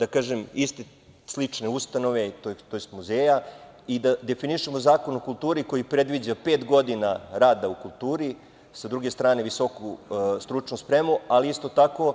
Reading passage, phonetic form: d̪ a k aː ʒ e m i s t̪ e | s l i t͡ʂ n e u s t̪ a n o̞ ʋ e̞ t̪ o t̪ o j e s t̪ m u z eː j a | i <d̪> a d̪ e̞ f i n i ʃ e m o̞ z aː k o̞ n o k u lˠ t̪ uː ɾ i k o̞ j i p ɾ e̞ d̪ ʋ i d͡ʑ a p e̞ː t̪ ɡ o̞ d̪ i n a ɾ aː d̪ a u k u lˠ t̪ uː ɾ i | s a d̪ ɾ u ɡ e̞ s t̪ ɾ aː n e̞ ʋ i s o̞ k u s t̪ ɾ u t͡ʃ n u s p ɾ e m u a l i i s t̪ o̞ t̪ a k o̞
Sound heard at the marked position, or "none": d̪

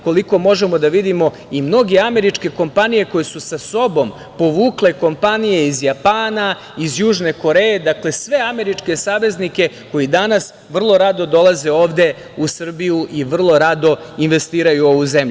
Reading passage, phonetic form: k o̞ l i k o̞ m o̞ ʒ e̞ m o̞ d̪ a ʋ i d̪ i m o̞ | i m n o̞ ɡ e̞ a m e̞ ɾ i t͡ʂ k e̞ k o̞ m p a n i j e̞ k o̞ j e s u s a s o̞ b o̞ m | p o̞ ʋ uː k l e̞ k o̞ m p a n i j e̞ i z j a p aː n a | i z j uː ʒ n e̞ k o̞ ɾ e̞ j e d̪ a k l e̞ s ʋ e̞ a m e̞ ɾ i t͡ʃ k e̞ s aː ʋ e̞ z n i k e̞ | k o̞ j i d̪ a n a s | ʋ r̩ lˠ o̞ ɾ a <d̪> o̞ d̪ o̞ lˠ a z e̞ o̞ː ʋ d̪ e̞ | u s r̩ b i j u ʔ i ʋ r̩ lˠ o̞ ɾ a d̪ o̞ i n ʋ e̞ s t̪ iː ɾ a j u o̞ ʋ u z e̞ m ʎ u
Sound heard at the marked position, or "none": d̪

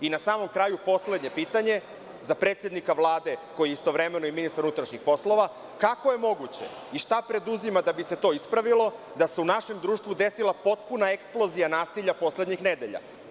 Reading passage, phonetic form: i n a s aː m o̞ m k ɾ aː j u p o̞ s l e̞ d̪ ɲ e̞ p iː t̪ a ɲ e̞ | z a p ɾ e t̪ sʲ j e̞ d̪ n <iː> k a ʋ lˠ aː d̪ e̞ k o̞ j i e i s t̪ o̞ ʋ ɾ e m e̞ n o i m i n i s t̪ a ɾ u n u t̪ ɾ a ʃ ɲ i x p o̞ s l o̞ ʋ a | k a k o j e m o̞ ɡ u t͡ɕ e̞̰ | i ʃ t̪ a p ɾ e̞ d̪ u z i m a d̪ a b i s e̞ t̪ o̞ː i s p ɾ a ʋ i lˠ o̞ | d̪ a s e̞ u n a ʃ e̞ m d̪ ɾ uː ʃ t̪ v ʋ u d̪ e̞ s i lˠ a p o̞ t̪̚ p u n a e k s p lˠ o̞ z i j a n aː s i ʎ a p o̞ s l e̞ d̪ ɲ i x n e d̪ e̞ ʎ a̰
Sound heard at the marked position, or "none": i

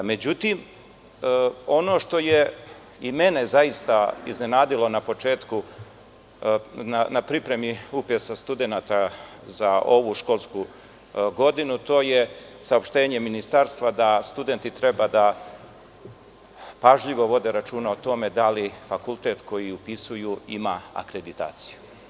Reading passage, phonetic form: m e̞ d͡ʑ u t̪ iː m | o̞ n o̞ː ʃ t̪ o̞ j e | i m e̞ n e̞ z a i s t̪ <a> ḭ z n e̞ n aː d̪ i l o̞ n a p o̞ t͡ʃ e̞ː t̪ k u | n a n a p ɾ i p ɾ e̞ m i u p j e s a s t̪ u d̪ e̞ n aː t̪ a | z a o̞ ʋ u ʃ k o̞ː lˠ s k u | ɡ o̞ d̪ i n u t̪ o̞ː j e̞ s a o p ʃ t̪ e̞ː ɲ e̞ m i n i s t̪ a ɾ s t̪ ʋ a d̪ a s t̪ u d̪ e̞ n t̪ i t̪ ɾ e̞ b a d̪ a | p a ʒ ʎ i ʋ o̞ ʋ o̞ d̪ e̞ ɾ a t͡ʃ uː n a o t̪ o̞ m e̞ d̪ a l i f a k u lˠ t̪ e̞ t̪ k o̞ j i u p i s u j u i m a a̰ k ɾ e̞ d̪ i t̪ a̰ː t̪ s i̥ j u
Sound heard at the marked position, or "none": a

